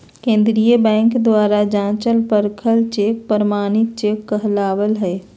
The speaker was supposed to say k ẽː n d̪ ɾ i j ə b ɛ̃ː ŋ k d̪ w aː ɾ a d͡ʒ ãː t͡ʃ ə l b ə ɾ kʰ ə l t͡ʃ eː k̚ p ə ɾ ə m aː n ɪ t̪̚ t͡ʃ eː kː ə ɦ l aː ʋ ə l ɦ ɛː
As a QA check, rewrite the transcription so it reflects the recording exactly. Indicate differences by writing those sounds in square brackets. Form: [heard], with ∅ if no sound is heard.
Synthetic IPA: k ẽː n d̪ ɾ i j ə b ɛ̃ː ŋ k d̪ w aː ɾ a d͡ʒ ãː t͡ʃ ə l [p] ə ɾ kʰ ə l t͡ʃ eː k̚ p ə ɾ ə m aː n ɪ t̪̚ t͡ʃ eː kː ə ɦ l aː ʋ ə l ɦ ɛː